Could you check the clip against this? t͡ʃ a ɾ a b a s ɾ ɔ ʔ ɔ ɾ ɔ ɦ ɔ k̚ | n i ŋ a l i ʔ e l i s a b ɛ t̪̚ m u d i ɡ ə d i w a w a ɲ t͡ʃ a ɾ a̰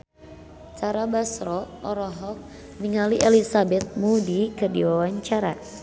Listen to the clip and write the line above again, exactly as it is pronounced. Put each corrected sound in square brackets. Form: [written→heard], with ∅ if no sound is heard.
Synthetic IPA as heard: t͡ʃ a ɾ a b a s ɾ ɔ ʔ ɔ ɾ ɔ ɦ ɔ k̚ | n i ŋ a l i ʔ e l i s a b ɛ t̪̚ m u d i [ɡ→k] ə d i w a w a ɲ t͡ʃ a ɾ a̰